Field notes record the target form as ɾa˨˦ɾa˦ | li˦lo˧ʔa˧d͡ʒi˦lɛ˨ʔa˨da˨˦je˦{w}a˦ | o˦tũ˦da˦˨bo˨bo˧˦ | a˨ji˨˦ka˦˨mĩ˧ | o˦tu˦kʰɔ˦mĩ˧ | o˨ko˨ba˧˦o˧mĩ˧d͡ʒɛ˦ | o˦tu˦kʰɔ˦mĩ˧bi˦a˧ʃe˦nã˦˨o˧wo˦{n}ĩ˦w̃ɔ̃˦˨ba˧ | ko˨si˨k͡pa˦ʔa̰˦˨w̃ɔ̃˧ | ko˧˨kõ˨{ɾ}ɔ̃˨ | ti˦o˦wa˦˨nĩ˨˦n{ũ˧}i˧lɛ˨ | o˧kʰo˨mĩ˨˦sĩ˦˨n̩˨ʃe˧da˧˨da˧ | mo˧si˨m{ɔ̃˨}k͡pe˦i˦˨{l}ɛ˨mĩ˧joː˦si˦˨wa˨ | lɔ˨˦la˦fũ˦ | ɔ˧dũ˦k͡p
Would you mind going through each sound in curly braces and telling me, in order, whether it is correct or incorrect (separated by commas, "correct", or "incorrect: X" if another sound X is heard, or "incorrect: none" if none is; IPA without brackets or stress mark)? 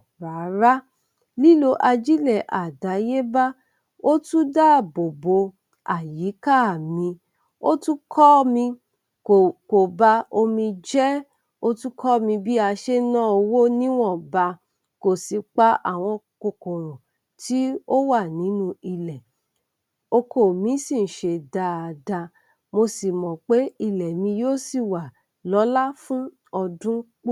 incorrect: b, correct, correct, correct, correct, correct